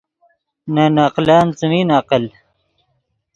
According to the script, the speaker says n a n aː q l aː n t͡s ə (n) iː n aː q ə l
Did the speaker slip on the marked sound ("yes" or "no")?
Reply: yes